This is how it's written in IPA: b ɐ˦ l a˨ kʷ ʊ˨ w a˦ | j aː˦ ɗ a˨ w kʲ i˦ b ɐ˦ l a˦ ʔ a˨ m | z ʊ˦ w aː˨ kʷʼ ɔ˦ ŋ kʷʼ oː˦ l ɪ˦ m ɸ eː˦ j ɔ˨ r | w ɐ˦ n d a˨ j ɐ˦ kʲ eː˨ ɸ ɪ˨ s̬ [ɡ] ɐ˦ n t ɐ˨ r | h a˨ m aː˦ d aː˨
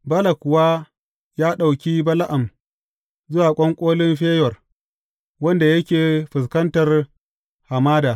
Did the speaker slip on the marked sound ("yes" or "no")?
yes